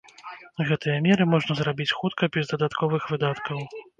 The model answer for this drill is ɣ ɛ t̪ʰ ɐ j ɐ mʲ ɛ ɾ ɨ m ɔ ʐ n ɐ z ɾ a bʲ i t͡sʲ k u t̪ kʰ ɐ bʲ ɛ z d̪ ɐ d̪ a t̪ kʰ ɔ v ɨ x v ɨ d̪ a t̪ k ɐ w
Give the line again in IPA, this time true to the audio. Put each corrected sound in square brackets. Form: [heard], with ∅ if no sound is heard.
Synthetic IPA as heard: ɣ ɛ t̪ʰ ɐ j ɐ mʲ ɛ ɾ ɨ m ɔ ʐ n ɐ z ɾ a bʲ i t͡sʲ [x] u t̪ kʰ ɐ bʲ ɛ z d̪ ɐ d̪ a t̪ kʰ ɔ v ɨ x v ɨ d̪ a t̪ k ɐ w